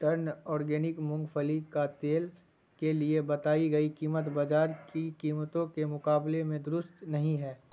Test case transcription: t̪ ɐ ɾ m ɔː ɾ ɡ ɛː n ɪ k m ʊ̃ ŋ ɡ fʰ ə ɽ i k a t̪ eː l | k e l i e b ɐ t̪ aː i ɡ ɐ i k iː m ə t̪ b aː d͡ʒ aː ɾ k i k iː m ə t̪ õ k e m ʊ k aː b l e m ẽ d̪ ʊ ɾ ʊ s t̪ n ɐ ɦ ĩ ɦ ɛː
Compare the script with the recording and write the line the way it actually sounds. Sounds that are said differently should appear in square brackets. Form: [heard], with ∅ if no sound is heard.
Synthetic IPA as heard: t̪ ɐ ɾ [n] ɔː ɾ ɡ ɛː n ɪ k m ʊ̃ ŋ ɡ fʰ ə [l] i k a t̪ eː l | k e l i e b ɐ t̪ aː i ɡ ɐ i k iː m ə t̪ b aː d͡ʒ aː ɾ k i k iː m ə t̪ õ k e m ʊ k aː b l e m ẽ d̪ ʊ ɾ ʊ s t̪ n ɐ ɦ ĩ ɦ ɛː